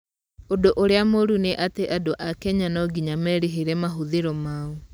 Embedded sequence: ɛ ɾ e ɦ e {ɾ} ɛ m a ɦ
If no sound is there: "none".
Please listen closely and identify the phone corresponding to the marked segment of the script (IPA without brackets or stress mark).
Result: ɾ